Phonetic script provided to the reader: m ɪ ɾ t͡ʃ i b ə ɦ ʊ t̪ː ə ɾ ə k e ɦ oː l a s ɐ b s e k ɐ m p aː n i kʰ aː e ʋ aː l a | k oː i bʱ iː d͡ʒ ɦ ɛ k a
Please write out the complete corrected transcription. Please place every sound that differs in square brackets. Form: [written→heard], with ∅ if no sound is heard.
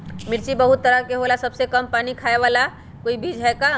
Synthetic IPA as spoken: m ɪ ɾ t͡ʃ i b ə ɦ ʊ t̪ː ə ɾ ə k e ɦ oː l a s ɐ b s e k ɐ m p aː n i kʰ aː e ʋ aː l a | k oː i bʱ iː d͡ʒ ɦ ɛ k a